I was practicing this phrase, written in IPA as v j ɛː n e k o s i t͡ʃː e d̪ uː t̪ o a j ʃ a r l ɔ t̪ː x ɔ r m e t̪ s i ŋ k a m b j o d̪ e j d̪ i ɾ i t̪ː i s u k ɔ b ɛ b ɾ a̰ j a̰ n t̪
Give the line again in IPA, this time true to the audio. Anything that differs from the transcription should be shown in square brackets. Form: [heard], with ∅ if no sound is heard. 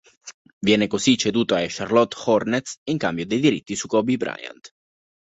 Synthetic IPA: v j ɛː n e k o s i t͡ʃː e d̪ uː t̪ o a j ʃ a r l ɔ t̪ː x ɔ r [n] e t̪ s i ŋ k a m b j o d̪ e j d̪ i ɾ i t̪ː i s u k ɔ b [i] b ɾ a̰ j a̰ n t̪